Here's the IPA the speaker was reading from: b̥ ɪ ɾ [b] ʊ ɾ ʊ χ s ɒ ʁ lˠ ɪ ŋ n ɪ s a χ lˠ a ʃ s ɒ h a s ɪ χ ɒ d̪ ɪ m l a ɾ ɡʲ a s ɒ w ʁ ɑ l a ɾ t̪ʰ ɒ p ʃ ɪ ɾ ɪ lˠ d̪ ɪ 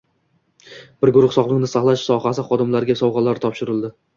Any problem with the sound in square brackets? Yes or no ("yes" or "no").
yes